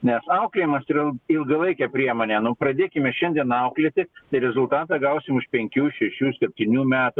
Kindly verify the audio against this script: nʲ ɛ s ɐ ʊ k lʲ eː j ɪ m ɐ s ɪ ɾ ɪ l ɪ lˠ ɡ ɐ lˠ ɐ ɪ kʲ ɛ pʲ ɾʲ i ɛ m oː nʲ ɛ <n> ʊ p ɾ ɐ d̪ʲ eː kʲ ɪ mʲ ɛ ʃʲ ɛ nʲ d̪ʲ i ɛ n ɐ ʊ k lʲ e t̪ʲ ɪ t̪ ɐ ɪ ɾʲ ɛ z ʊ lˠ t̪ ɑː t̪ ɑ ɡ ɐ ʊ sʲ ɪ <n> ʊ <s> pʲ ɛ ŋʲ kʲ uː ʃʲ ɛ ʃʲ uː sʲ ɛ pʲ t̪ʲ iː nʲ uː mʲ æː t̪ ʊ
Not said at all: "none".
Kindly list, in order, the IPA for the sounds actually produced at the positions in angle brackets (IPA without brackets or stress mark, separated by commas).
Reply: n, m, ʃ